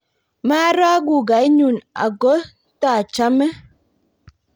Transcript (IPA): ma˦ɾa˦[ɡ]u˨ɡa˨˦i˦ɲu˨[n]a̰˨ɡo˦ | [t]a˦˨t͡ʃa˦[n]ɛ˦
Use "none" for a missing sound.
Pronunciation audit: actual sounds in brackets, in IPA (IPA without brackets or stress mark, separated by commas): ɡ, n, t, m